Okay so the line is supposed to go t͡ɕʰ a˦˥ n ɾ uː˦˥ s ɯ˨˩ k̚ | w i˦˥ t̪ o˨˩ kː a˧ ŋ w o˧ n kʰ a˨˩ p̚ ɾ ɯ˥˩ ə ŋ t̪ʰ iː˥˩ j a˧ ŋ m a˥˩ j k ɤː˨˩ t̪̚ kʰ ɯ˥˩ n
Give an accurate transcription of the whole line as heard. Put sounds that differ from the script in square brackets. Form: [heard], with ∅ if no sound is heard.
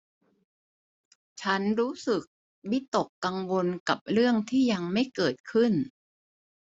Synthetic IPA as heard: t͡ɕʰ a˦˥ n ɾ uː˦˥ s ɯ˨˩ k̚ | w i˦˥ t̪ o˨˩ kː a˧ ŋ w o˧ n [k] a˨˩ p̚ ɾ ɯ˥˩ ə ŋ t̪ʰ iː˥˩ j a˧ ŋ m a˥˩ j k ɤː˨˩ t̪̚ kʰ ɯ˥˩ n